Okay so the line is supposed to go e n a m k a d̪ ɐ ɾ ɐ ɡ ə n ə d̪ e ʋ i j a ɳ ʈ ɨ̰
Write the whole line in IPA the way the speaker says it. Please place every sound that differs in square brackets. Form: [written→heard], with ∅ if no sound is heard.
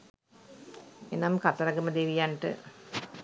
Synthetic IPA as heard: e n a m k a [d̪→t̪] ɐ ɾ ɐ ɡ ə [n→m] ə d̪ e ʋ i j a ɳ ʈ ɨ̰